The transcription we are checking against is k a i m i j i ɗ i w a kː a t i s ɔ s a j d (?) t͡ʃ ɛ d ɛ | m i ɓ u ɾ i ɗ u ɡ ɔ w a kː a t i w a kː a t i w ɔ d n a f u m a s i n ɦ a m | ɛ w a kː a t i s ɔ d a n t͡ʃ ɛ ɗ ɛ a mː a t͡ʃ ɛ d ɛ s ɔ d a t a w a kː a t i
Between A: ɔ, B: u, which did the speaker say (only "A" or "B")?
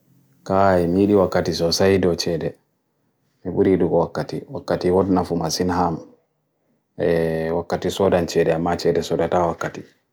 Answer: A